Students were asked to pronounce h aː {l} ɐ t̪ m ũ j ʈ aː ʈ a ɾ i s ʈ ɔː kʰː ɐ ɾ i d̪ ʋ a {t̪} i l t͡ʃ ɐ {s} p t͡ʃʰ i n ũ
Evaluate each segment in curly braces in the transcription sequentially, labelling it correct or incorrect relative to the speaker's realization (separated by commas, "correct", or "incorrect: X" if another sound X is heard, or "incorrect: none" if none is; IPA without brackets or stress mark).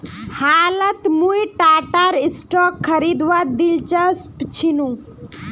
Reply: correct, incorrect: d̪, correct